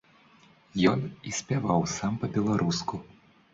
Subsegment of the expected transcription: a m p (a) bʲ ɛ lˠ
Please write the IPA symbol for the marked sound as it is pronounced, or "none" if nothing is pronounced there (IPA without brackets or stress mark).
ɐ